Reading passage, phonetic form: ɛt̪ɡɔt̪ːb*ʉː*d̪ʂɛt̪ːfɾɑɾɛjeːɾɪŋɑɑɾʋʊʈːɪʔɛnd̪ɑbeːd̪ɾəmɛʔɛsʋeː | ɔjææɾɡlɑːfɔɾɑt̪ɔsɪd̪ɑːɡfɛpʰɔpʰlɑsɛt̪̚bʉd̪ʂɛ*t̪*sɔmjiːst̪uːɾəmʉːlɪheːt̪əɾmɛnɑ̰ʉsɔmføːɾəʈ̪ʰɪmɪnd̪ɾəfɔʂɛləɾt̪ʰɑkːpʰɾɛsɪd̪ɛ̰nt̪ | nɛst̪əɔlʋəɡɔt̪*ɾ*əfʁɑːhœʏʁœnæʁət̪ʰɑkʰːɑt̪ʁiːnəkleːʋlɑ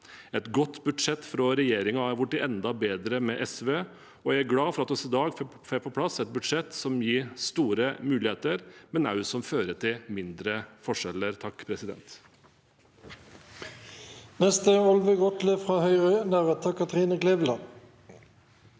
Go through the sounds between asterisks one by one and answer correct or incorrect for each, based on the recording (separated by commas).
incorrect, correct, incorrect